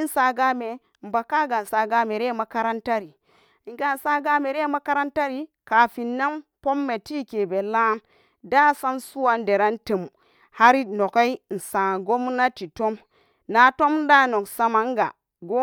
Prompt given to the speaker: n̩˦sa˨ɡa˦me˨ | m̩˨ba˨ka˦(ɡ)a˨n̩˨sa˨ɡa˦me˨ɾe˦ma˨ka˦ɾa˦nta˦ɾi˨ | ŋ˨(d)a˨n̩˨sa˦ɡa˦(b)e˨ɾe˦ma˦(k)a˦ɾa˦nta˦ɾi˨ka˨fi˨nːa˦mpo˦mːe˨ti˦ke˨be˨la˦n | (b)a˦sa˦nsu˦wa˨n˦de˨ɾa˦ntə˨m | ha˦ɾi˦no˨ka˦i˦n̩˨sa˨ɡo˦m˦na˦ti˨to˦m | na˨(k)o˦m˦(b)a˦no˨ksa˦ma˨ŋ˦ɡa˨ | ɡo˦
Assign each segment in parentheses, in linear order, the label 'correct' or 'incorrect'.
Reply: correct, incorrect, incorrect, correct, incorrect, incorrect, incorrect

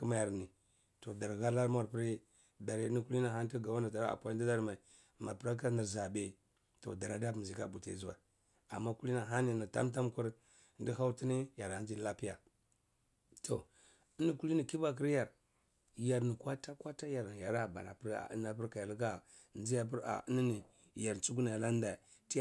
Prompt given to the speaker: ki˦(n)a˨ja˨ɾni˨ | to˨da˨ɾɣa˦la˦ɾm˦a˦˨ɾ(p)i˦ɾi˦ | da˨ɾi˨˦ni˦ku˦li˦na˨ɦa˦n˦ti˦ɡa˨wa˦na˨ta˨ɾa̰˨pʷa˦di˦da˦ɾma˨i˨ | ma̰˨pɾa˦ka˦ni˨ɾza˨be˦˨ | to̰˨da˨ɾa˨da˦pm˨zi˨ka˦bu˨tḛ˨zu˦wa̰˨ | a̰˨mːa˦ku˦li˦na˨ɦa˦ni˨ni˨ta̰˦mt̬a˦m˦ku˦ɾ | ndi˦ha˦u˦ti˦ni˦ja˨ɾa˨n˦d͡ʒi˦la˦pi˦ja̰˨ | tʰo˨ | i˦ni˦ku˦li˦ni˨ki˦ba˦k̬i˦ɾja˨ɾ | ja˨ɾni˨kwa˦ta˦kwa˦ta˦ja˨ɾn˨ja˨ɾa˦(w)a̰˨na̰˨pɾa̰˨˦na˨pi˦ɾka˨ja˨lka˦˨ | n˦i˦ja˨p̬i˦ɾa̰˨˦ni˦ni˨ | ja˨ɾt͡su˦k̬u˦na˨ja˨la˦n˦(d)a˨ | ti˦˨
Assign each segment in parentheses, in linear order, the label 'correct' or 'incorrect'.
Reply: incorrect, correct, incorrect, correct

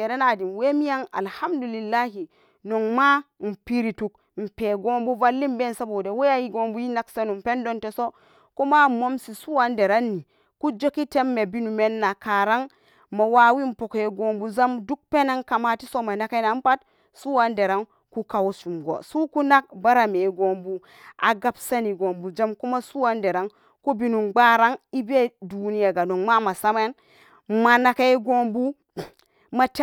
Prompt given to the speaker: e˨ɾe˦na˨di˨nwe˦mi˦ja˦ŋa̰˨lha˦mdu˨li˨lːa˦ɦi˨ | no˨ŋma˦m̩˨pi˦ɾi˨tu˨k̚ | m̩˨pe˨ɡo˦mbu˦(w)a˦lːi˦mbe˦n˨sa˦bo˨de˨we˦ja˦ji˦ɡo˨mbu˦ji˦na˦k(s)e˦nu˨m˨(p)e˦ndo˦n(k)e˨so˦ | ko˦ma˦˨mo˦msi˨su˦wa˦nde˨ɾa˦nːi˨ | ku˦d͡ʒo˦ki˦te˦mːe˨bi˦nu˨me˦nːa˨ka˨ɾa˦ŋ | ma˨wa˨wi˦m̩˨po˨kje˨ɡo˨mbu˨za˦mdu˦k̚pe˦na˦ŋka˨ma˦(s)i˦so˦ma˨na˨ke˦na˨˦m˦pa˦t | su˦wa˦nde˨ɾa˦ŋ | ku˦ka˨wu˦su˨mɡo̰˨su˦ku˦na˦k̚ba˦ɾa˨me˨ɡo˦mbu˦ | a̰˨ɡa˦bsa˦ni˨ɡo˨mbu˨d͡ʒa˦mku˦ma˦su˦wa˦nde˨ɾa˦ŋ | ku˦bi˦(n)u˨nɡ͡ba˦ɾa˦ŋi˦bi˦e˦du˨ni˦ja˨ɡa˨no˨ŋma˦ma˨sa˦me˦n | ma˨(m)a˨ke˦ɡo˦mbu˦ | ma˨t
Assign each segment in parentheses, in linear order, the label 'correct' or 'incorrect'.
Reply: incorrect, correct, correct, incorrect, incorrect, correct, incorrect

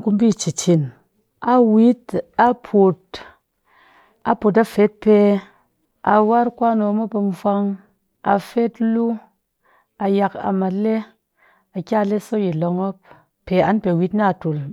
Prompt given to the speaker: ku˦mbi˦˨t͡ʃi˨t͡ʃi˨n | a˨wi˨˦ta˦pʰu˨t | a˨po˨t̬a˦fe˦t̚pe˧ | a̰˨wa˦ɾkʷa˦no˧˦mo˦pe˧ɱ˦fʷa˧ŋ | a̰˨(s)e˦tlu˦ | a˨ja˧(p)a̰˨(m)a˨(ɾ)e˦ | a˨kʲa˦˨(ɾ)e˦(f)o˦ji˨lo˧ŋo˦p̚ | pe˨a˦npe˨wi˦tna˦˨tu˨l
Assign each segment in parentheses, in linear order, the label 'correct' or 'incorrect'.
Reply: incorrect, incorrect, correct, incorrect, incorrect, incorrect

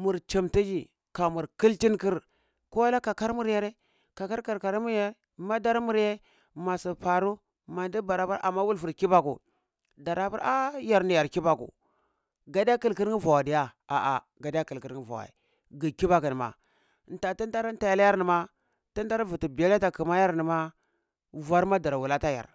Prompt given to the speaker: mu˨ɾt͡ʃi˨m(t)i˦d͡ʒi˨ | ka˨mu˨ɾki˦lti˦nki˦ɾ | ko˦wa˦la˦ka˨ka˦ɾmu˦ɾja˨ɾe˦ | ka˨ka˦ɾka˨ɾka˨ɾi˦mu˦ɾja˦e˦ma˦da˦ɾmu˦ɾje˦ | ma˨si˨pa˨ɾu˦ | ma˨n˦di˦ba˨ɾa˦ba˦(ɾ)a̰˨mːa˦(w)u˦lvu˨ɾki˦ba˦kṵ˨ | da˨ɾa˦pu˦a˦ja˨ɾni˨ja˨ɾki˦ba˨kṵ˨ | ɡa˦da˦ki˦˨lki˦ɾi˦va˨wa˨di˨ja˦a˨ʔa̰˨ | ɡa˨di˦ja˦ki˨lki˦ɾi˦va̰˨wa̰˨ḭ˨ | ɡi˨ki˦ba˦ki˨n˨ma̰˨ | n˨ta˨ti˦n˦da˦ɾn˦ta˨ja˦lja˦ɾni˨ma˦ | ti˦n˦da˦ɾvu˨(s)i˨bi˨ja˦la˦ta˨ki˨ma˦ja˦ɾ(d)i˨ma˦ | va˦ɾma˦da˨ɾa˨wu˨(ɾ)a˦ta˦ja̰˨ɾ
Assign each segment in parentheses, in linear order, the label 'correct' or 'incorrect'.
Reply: correct, correct, correct, incorrect, incorrect, incorrect

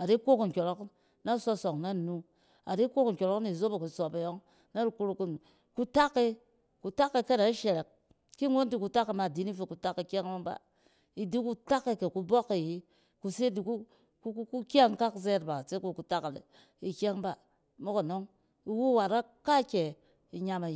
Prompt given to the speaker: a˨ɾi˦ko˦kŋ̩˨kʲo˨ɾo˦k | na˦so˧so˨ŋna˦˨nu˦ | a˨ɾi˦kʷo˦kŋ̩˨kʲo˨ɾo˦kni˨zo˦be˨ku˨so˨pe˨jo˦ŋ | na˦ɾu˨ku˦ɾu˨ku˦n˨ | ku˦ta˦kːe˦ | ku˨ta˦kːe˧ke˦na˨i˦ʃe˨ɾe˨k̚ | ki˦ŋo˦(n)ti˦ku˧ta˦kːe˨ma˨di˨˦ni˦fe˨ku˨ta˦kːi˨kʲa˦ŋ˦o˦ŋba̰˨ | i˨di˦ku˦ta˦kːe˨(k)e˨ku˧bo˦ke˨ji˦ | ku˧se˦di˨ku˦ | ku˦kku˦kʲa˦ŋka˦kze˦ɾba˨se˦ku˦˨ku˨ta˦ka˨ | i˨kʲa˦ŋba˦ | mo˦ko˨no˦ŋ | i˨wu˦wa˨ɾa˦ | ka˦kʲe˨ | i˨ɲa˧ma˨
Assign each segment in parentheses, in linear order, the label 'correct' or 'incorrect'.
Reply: correct, correct

